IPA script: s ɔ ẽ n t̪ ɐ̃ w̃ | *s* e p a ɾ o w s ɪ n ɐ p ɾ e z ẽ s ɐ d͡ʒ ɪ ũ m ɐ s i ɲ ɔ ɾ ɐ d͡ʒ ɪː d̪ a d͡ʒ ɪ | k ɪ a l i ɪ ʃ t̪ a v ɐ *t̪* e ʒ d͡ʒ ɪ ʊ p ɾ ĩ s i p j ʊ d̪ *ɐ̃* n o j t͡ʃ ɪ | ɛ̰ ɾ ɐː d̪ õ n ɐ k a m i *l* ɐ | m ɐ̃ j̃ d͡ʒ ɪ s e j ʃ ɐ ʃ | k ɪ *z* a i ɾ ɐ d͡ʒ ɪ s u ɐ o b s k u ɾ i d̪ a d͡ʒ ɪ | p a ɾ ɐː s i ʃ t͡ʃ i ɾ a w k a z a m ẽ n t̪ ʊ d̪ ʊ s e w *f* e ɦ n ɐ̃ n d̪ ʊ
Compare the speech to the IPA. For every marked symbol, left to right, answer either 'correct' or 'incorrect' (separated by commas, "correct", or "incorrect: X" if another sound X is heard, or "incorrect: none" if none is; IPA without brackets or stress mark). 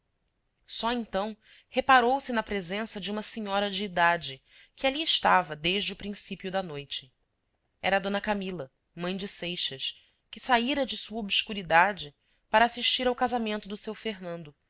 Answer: incorrect: h, incorrect: d̪, incorrect: ɐ, correct, incorrect: s, correct